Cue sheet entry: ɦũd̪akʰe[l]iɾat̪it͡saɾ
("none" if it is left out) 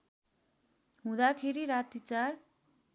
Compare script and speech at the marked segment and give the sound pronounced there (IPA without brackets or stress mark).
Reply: ɾ